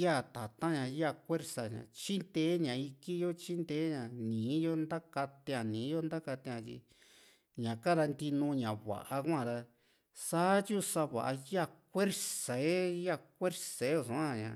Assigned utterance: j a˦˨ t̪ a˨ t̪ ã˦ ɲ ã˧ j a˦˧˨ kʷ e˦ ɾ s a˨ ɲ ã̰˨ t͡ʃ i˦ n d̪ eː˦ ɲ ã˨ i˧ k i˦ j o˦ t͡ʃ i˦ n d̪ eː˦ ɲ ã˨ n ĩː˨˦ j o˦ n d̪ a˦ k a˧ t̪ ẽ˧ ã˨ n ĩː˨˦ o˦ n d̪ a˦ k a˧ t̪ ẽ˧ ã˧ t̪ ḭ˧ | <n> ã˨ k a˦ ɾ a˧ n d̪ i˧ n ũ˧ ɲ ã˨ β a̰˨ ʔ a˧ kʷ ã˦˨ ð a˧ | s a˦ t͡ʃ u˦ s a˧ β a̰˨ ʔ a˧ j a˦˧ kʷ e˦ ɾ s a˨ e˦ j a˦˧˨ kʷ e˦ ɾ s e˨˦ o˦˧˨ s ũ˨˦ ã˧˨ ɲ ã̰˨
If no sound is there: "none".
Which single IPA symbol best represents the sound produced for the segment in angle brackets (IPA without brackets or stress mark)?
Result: ɲ